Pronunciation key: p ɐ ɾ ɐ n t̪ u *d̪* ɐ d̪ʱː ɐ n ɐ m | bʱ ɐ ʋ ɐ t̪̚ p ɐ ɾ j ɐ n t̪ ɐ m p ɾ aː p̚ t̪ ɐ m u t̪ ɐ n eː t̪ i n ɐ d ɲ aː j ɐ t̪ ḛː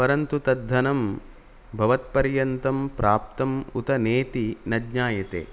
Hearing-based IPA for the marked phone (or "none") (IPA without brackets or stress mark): t̪